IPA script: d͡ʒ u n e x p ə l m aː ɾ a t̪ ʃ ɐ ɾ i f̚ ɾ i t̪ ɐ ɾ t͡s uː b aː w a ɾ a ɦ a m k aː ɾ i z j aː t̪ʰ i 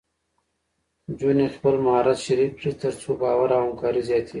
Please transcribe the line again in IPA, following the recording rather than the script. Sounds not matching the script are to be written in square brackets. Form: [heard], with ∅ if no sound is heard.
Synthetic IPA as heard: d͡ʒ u n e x p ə l m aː ɾ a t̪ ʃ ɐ ɾ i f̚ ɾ i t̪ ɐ ɾ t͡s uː b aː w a ɾ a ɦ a m k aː ɾ i z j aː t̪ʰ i